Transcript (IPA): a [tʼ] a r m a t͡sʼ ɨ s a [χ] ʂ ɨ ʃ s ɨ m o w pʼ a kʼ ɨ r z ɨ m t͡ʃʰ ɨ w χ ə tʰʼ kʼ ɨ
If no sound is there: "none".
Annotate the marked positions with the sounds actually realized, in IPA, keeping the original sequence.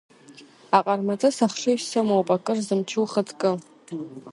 qʼ, χ

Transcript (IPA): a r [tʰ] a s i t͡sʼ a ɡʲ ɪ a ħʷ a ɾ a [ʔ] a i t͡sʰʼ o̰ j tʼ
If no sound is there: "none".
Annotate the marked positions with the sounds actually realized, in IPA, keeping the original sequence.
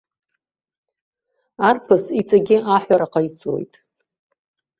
pʰ, q

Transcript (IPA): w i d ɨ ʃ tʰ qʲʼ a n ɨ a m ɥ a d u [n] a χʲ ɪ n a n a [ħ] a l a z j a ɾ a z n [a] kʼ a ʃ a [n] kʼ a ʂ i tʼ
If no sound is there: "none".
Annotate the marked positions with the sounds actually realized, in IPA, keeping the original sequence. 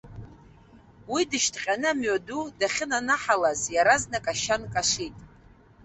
d, ħ, a, n

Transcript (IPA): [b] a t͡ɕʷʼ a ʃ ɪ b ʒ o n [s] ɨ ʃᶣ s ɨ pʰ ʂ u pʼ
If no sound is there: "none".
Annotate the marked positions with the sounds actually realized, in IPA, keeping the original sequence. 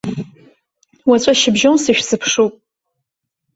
w, s

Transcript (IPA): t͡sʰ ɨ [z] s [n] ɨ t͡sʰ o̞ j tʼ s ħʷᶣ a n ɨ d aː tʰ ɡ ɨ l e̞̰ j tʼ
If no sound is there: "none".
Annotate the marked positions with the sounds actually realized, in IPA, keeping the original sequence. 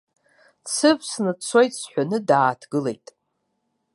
v, n

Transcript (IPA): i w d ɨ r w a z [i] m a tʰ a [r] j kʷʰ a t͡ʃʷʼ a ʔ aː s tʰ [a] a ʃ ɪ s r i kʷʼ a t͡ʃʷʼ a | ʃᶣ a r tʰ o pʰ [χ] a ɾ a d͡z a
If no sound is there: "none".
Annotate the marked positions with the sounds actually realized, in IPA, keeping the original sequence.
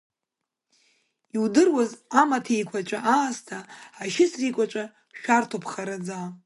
a, none, a, χ

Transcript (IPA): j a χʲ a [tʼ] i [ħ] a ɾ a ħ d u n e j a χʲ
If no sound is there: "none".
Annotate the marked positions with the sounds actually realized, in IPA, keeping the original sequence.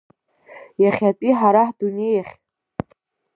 tʼ, ħ

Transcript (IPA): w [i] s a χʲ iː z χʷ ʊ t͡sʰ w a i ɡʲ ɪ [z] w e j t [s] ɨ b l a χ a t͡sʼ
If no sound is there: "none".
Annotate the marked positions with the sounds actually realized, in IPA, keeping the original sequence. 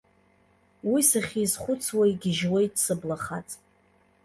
i, ʒ, s

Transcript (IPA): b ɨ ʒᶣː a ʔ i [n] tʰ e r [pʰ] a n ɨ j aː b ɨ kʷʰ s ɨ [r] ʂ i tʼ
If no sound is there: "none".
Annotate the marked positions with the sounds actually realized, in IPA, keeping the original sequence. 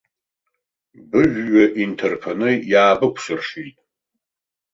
n, pʰ, r

